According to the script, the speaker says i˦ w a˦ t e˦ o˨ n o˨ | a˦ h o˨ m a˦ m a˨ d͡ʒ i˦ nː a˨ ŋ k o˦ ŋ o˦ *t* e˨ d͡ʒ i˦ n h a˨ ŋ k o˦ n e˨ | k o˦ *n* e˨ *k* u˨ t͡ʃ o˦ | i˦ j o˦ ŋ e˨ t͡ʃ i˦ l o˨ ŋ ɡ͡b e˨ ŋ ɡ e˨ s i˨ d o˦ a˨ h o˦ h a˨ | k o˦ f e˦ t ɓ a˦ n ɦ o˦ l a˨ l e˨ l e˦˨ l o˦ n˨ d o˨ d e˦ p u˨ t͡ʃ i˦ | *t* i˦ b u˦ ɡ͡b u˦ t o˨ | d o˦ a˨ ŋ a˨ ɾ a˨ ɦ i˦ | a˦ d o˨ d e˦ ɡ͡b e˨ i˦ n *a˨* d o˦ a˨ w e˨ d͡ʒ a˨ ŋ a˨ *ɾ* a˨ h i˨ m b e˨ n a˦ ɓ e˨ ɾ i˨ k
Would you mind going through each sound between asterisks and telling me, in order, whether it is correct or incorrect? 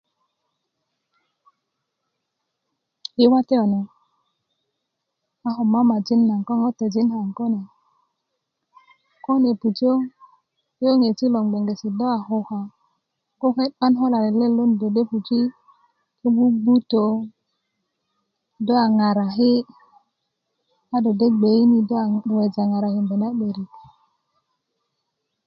correct, correct, incorrect, incorrect, incorrect, correct

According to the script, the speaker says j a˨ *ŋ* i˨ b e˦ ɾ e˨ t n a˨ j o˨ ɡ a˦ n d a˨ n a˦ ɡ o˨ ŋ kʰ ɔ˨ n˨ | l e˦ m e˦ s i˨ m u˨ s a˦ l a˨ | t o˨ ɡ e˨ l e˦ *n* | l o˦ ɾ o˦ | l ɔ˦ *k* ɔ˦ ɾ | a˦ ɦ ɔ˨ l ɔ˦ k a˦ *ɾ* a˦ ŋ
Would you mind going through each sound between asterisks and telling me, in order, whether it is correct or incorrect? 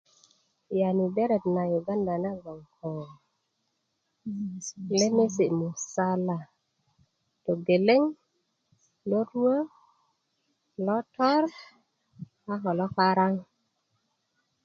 incorrect, incorrect, incorrect, correct

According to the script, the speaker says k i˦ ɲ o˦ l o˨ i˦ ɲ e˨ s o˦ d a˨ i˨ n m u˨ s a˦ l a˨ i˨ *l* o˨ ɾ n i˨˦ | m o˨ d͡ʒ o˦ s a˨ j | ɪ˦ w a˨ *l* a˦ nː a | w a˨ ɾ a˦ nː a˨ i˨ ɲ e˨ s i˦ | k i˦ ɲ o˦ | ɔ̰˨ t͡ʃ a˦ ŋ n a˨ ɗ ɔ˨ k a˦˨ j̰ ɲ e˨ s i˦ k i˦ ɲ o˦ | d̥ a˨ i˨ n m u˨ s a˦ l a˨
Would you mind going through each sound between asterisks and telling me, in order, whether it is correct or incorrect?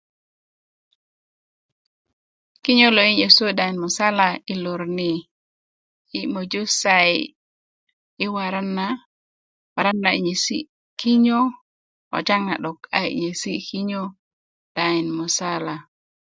correct, incorrect

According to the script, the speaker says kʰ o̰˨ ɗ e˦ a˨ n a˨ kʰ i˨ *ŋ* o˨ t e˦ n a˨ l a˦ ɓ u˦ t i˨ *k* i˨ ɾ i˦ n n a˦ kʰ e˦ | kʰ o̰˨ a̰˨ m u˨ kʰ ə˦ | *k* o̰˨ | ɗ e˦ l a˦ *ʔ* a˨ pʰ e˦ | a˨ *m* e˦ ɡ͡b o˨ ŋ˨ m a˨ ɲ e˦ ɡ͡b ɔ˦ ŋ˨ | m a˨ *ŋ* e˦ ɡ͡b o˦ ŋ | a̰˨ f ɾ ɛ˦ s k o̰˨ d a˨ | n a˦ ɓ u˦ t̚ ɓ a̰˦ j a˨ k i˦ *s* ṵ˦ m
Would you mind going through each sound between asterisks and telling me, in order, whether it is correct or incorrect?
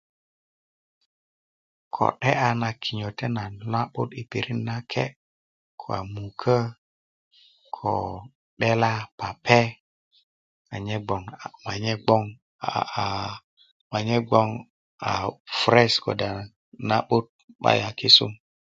incorrect, incorrect, incorrect, incorrect, incorrect, incorrect, correct

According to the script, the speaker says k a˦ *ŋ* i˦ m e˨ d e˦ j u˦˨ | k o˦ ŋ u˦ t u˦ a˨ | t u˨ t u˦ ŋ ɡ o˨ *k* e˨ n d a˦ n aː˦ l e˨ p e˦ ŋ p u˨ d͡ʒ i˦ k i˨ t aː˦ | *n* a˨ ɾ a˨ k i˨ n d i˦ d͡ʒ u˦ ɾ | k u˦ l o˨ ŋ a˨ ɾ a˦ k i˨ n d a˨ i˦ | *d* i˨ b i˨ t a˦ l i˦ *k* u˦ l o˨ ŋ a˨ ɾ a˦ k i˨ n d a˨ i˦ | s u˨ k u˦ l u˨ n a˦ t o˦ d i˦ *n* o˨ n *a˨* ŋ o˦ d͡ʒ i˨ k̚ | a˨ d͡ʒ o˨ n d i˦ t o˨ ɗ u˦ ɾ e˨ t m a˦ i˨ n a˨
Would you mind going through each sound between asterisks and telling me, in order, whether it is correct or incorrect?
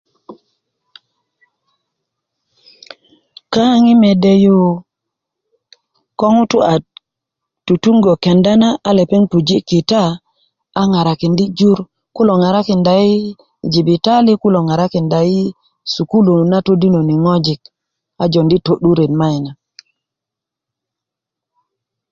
correct, correct, incorrect, incorrect, correct, correct, incorrect

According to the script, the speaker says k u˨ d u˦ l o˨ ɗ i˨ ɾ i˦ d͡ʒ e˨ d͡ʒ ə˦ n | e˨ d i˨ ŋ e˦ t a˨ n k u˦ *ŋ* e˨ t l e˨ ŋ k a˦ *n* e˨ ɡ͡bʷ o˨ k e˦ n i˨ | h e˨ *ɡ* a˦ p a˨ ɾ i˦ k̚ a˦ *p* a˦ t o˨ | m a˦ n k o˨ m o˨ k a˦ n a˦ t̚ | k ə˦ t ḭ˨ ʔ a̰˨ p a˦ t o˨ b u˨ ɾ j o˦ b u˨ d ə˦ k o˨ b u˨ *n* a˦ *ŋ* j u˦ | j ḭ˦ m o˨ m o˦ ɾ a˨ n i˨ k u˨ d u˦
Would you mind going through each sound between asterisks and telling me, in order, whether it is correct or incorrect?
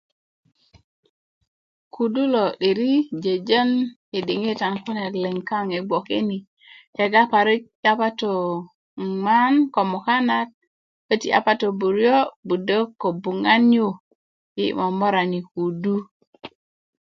incorrect, incorrect, correct, correct, incorrect, incorrect

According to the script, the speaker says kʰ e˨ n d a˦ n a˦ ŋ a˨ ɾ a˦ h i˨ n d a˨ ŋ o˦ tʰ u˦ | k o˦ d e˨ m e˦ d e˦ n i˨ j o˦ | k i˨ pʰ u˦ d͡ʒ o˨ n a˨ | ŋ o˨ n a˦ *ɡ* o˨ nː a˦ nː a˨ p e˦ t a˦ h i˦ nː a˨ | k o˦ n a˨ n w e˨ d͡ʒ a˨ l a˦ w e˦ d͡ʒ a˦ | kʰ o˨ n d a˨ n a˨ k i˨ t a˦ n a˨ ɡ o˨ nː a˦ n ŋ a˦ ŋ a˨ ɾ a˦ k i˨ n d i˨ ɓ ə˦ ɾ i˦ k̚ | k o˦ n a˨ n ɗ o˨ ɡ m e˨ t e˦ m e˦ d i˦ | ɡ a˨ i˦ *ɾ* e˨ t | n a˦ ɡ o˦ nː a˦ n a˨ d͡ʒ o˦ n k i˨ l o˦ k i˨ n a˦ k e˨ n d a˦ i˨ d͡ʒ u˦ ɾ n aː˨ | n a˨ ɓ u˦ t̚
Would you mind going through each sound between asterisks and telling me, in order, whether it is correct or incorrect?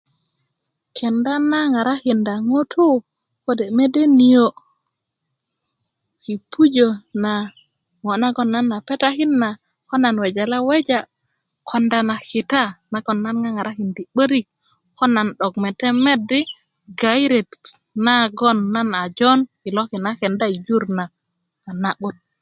correct, correct

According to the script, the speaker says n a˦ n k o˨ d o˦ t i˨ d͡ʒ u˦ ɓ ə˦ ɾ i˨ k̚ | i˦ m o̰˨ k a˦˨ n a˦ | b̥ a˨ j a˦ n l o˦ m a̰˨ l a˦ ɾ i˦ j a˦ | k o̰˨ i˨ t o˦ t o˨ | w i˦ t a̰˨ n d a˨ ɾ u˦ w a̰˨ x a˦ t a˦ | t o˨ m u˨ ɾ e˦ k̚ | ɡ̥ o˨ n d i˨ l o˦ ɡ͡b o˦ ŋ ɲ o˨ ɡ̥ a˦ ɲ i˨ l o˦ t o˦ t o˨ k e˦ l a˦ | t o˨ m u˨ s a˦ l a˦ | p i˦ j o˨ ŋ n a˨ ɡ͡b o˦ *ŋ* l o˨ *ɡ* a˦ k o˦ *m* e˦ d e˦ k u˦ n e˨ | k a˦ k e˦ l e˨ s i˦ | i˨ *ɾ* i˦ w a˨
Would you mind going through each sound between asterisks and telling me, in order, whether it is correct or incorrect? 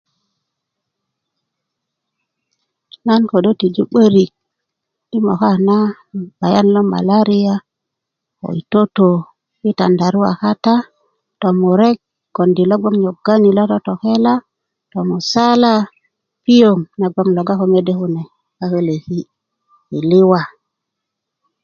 correct, correct, correct, incorrect

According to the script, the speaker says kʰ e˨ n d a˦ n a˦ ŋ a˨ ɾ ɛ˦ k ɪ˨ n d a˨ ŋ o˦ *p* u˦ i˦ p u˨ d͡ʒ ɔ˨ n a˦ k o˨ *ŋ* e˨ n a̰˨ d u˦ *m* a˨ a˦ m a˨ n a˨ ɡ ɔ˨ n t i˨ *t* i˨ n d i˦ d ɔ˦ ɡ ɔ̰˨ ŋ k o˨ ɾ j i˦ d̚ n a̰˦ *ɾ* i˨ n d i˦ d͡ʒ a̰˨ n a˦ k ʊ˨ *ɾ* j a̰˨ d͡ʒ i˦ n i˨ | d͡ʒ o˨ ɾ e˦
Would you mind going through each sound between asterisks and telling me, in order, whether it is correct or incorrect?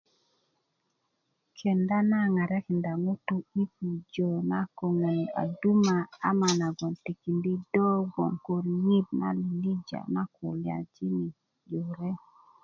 incorrect, correct, correct, incorrect, incorrect, incorrect

